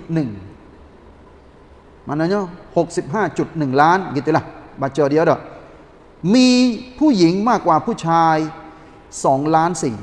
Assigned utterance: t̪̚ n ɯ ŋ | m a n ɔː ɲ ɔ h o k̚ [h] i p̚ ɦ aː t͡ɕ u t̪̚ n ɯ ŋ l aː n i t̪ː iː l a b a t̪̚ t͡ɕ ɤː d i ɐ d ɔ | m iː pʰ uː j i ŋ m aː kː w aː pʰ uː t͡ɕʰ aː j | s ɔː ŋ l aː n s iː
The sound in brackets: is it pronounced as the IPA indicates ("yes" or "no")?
no